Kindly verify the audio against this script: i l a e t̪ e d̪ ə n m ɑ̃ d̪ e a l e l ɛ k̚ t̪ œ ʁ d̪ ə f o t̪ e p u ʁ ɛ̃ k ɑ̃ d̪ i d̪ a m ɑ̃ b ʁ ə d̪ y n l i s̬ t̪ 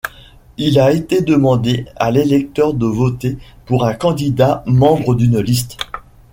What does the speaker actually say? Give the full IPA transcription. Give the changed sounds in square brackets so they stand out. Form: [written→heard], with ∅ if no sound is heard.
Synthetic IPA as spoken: i l a e t̪ e d̪ ə [n→∅] m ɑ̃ d̪ e a l e l ɛ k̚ t̪ œ ʁ d̪ ə [f→v] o t̪ e p u ʁ ɛ̃ k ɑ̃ d̪ i d̪ a m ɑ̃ b ʁ ə d̪ y n l i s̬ t̪